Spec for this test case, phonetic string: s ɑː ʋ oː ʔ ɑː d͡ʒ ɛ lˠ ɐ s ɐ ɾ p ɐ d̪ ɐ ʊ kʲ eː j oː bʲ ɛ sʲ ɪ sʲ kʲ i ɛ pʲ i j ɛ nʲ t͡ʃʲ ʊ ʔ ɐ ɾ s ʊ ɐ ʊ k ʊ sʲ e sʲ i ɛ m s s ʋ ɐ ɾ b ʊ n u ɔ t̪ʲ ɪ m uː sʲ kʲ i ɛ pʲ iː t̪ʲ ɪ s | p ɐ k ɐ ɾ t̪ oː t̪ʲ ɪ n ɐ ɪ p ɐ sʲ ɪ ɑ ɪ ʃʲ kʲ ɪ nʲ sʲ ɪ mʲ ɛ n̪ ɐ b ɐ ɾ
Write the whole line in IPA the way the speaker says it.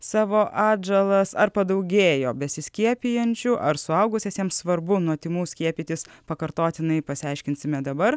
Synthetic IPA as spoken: s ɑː ʋ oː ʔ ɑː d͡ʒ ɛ lˠ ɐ s ɐ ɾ p ɐ d̪ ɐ ʊ ɡʲ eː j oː bʲ ɛ sʲ ɪ sʲ kʲ i ɛ pʲ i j ɛ nʲ t͡ʃʲ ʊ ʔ ɐ ɾ s ʊ ɐ ʊ ɡ ʊ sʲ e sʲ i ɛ m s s ʋ ɐ ɾ b ʊ n u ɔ t̪ʲ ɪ m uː sʲ kʲ i ɛ pʲ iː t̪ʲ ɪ s | p ɐ k ɐ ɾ t̪ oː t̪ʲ ɪ n ɐ ɪ p ɐ sʲ ɪ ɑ ɪ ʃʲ kʲ ɪ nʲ sʲ ɪ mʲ ɛ d̪ ɐ b ɐ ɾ